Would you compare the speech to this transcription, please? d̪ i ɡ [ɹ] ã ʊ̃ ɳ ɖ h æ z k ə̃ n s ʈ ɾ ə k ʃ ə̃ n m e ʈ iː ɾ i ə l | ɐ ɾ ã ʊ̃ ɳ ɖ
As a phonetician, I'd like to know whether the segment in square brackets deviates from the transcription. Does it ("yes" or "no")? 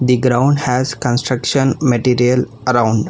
yes